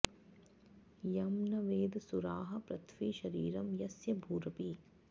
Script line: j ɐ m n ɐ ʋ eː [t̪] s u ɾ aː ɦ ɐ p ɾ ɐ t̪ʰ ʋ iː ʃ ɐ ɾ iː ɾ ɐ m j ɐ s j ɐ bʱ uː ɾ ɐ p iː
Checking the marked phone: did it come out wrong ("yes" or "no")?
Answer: yes